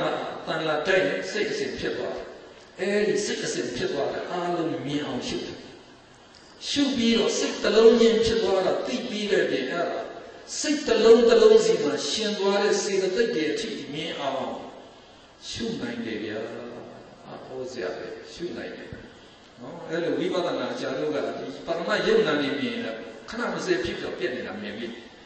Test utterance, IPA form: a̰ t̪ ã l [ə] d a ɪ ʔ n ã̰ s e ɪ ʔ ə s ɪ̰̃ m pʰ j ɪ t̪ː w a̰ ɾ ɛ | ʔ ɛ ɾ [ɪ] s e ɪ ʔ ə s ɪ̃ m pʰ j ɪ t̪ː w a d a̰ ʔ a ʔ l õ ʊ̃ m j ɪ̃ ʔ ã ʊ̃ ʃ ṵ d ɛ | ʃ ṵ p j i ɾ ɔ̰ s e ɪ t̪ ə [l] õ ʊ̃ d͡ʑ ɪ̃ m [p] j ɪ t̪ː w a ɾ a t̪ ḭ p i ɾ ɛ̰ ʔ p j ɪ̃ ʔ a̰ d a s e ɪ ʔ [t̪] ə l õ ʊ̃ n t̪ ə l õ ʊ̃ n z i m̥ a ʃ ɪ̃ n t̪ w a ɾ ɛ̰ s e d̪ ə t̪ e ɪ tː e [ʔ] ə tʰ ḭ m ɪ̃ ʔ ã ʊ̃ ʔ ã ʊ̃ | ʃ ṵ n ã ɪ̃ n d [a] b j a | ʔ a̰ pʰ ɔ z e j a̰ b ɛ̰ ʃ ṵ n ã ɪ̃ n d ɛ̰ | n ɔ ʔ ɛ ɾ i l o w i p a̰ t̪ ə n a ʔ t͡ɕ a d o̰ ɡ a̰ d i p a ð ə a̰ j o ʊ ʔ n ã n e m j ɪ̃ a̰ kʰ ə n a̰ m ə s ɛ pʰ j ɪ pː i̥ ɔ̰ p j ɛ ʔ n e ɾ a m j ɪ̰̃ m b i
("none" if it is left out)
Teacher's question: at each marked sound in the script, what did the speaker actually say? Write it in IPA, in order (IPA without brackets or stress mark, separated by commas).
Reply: a, i, l, pʰ, t̪, ʔ, ɛ